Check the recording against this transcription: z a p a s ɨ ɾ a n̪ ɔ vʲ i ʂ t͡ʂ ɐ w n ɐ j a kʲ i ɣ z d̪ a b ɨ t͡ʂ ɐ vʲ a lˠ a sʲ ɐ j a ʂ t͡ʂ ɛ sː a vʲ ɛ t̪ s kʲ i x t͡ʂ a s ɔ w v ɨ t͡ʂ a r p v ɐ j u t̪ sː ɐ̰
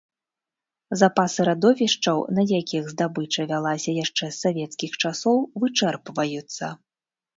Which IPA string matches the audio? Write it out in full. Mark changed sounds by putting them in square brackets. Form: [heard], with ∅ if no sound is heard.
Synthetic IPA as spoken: z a p a s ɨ ɾ a [d̪] ɔ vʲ i ʂ t͡ʂ ɐ w n ɐ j a kʲ i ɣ z d̪ a b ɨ t͡ʂ ɐ vʲ a lˠ a sʲ ɐ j a ʂ t͡ʂ ɛ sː a vʲ ɛ t̪ s kʲ i x t͡ʂ a s ɔ w v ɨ t͡ʂ [ɛ] r p v ɐ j u t̪ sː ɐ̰